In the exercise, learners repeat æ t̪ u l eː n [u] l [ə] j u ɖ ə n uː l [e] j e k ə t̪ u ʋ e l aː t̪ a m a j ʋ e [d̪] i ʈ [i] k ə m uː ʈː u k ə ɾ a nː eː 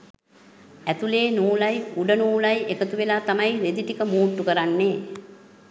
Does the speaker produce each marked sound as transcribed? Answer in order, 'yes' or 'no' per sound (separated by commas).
no, no, no, yes, yes